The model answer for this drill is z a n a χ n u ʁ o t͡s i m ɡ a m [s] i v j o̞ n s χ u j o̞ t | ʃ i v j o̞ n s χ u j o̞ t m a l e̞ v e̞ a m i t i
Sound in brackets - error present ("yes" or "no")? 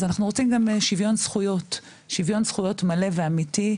yes